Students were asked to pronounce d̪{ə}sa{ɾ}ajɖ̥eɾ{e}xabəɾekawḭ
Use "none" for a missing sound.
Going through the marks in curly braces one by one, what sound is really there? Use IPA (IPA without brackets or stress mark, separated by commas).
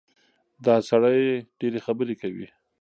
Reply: ɑ, ɽ, e